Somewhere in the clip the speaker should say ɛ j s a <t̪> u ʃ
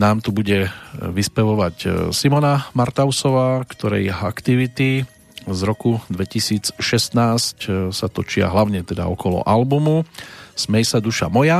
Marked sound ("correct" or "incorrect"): incorrect